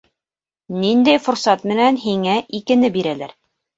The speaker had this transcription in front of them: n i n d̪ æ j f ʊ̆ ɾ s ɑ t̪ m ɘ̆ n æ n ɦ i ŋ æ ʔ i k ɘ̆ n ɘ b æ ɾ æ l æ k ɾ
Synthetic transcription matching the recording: n i n d̪ æ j f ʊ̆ ɾ s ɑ t̪ m ɘ̆ n æ n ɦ i ŋ æ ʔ i k ɘ̆ n ɘ b i ɾ æ l æ ɾ